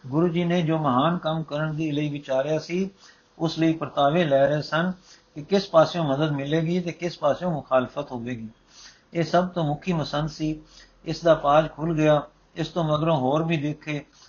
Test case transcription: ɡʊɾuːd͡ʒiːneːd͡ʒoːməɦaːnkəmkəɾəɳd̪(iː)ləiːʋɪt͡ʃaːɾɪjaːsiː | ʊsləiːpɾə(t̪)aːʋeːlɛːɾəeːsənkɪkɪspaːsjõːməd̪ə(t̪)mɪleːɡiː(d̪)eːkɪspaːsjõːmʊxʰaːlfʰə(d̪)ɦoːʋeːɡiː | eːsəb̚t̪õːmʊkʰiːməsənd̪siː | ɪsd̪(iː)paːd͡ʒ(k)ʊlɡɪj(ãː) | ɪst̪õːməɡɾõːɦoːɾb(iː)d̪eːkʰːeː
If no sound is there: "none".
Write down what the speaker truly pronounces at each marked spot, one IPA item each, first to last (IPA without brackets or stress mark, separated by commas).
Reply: iː, t̪, d̪, t̪, t̪, aː, kʰ, aː, iː